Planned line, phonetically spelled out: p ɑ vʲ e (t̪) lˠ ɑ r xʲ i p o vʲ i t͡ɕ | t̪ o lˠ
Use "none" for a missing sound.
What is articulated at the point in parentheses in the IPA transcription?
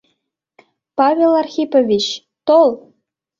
none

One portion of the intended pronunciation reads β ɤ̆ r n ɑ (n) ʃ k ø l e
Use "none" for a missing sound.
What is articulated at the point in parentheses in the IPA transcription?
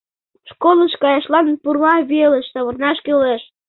none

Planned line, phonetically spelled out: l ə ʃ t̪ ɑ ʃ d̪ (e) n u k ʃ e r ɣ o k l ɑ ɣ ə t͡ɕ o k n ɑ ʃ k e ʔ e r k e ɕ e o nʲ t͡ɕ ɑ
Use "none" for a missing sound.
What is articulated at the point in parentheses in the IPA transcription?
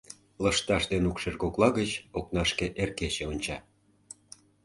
e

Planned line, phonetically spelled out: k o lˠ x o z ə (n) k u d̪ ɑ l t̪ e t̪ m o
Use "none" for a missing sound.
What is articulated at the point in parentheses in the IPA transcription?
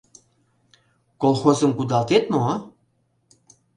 m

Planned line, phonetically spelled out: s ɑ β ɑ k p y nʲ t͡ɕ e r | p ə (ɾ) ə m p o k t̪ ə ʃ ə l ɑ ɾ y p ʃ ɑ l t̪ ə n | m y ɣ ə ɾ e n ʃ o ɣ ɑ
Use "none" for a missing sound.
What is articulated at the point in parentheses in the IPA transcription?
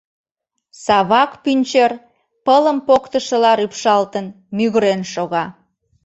l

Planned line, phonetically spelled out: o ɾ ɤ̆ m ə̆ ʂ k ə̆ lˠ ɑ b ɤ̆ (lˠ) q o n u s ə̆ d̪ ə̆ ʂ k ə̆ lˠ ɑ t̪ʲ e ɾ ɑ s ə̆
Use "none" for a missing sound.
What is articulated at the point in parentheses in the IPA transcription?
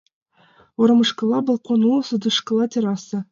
lˠ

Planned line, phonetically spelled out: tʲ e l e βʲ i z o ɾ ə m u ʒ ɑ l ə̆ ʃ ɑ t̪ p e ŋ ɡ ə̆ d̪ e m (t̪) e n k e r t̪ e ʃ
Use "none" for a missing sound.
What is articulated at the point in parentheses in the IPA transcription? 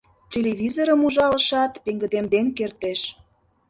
d̪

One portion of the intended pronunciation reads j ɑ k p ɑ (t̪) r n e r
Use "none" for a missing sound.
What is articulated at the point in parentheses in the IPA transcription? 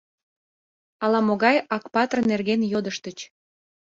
t̪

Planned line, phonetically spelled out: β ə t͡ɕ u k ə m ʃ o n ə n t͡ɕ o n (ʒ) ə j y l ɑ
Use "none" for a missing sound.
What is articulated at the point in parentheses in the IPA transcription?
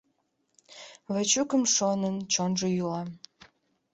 ʒ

